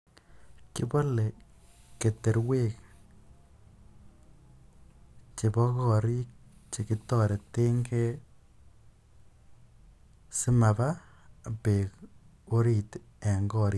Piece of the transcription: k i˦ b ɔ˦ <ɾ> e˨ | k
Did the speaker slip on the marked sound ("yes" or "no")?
yes